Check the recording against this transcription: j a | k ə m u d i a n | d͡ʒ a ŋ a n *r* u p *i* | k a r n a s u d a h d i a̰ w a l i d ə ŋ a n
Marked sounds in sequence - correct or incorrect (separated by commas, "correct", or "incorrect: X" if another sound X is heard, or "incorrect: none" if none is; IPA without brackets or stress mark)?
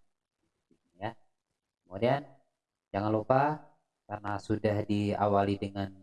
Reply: incorrect: l, incorrect: a